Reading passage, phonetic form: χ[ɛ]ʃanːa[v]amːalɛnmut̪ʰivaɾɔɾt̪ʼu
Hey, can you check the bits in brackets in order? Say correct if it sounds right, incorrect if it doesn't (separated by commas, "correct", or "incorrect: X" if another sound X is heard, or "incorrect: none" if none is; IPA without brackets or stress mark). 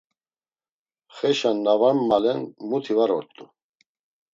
correct, correct